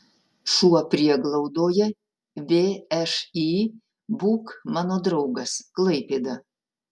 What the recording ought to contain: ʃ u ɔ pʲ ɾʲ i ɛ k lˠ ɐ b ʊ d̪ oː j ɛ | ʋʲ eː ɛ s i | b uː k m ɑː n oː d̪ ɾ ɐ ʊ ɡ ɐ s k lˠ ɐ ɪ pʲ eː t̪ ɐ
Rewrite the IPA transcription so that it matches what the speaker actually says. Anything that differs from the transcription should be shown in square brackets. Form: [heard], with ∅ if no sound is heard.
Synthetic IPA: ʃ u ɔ pʲ ɾʲ i ɛ [ɡ] lˠ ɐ [∅] ʊ d̪ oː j ɛ | ʋʲ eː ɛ [ʃ] i | b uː k m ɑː n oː d̪ ɾ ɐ ʊ ɡ ɐ s k lˠ ɐ ɪ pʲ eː [d̪] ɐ